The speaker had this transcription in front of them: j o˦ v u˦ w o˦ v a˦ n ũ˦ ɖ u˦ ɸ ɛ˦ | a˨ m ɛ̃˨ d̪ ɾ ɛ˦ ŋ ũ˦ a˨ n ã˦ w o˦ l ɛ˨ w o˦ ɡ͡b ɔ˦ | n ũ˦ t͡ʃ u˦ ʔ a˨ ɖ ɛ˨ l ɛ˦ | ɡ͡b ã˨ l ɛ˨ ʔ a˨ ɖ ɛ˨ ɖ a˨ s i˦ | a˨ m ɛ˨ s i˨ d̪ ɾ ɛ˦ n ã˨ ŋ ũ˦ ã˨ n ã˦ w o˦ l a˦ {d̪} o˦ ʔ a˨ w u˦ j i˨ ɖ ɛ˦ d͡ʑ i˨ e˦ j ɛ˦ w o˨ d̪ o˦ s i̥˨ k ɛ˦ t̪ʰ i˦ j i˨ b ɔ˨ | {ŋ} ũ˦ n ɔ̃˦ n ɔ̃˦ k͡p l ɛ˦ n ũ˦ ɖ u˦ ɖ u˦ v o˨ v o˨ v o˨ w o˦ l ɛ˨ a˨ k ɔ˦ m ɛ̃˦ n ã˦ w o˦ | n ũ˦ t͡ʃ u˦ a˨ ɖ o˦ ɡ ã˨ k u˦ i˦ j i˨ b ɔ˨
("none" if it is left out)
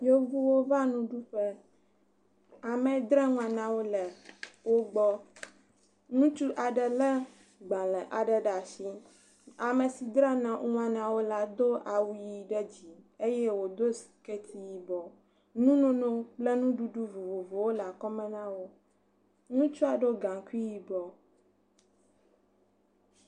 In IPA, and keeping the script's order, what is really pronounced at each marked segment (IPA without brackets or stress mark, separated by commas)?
d̪, n